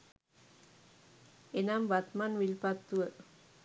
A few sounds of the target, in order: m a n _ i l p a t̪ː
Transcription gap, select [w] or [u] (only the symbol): w